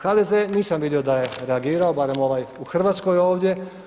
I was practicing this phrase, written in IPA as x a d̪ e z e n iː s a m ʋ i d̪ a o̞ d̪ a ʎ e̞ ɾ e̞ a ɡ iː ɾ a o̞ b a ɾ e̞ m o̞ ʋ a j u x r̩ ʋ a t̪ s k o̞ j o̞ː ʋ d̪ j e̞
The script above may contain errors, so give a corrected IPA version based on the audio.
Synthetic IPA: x a d̪ e z e n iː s a m ʋ i d̪ i o̞ d̪ a j e̞ ɾ e̞ a ɡ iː ɾ a o̞ b a ɾ e̞ m o̞ ʋ a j u x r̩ ʋ a t̪ s k o̞ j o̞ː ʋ d̪ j e̞